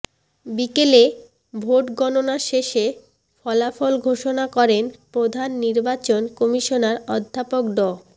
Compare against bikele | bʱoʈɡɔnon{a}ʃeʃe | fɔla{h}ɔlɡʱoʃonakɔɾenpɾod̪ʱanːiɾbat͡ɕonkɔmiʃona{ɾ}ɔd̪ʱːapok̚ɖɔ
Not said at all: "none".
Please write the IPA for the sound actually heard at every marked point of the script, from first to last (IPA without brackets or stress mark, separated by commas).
a, f, ɾ